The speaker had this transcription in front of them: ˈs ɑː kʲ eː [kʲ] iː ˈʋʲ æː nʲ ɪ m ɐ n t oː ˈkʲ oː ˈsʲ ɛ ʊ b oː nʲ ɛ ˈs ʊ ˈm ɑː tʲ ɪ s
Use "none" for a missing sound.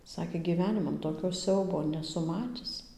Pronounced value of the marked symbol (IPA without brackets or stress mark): ɡʲ